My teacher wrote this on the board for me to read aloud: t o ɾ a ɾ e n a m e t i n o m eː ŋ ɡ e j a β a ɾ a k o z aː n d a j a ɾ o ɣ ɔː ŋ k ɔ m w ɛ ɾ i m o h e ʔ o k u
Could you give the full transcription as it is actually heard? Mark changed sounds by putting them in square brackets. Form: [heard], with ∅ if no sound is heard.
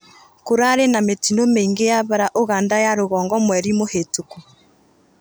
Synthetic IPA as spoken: [k] o ɾ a ɾ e n a m e t i n o m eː ŋ ɡ e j a β a ɾ a [ʔ] o [ɣ] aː n d a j a ɾ o ɣ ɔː ŋ [ɡ] ɔ m w ɛ ɾ i m o h e [t] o k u